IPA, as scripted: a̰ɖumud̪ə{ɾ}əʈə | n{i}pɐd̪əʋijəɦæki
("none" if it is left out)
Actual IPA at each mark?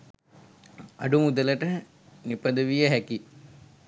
l, i

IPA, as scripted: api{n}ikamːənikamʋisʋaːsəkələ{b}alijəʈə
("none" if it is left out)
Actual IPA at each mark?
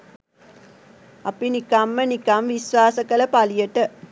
n, p

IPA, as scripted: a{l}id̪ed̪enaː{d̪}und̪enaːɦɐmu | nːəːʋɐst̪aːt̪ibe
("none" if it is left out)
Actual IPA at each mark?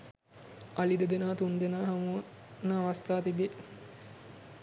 l, t̪

